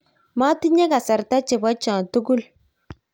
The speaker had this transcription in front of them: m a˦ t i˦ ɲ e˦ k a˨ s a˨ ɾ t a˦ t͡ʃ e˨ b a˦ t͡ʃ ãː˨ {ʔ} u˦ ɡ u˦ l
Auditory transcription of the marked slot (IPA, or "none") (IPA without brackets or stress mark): t